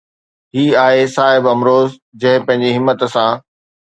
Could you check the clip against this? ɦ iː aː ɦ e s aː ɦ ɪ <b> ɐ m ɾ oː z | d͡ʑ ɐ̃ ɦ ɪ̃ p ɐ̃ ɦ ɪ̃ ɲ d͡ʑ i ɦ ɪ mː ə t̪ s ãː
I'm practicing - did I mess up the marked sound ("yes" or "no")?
no